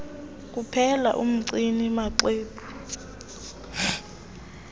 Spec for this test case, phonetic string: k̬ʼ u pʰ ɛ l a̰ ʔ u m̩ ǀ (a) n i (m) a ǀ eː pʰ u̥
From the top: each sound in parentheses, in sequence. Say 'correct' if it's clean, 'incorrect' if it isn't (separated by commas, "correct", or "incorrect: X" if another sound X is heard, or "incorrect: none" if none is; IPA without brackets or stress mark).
incorrect: i, correct